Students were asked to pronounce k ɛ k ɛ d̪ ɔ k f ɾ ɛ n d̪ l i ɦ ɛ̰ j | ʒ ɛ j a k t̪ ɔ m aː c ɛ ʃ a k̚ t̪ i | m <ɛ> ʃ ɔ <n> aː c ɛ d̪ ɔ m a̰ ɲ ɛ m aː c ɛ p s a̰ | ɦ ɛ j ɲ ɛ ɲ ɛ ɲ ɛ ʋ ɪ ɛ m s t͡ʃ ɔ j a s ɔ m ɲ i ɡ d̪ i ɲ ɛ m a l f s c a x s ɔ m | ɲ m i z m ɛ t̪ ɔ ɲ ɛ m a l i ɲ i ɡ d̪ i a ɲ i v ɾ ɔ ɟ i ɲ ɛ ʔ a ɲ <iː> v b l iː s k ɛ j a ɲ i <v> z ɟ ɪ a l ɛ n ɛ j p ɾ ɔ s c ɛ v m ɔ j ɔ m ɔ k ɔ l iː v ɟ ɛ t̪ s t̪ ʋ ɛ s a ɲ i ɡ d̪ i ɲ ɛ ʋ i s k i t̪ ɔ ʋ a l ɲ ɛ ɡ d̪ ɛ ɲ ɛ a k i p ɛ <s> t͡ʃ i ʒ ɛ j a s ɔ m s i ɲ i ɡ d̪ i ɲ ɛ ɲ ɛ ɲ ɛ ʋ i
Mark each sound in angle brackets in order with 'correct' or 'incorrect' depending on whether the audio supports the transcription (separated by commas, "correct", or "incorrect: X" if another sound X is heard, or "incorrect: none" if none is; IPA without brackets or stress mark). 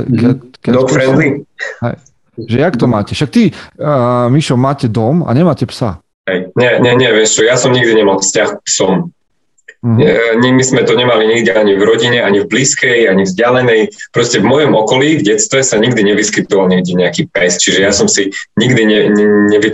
incorrect: i, incorrect: m, incorrect: i, correct, correct